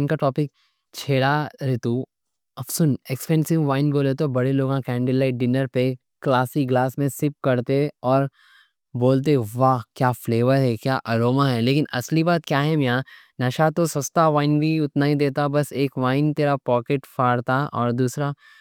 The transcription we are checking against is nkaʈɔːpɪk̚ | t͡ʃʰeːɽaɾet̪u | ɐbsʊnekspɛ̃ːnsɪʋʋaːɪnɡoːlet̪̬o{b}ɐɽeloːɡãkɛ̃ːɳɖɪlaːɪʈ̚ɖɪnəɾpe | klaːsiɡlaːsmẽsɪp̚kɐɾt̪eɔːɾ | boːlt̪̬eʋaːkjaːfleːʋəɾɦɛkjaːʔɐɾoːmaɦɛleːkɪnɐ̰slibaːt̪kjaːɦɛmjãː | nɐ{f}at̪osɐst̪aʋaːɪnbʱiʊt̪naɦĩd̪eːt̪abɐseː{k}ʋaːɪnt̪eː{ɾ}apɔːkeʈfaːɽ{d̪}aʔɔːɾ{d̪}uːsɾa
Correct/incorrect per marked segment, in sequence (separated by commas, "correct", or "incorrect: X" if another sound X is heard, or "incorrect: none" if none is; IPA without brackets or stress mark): correct, incorrect: ʃ, correct, correct, incorrect: t̪, correct